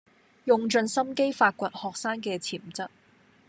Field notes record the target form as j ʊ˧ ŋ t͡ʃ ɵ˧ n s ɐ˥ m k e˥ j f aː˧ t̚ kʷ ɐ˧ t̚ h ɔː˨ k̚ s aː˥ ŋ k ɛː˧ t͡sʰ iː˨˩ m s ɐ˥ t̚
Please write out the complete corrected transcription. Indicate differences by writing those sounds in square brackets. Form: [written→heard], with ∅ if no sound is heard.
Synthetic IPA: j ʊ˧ ŋ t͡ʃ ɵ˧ n s ɐ˥ m k e˥ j f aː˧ t̚ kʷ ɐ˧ t̚ h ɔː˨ k̚ s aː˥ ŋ k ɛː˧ t͡sʰ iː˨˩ m [s→t͡s] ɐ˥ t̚